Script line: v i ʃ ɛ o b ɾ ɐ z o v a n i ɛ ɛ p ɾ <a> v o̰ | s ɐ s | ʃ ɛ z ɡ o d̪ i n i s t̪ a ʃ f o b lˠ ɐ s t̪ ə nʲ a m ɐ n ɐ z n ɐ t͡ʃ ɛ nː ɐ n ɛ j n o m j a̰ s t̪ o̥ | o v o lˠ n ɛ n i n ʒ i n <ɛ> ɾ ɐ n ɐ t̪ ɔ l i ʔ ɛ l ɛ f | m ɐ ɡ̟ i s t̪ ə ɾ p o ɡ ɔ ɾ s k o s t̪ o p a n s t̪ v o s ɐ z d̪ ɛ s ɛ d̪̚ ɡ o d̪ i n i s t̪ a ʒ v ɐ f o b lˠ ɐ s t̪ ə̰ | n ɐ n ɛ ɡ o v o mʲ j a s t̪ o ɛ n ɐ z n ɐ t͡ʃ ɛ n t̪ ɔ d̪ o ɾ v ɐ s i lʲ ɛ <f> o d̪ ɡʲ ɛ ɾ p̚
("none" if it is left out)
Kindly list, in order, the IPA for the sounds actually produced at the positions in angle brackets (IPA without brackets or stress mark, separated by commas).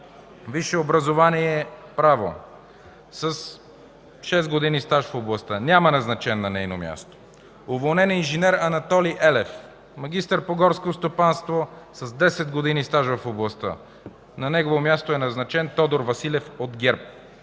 a, ɛ, f